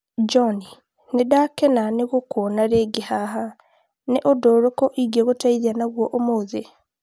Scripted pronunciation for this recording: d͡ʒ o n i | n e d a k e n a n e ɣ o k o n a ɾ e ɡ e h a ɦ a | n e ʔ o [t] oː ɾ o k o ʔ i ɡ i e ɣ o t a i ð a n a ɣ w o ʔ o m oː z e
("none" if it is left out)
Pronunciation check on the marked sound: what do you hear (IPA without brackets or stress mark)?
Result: d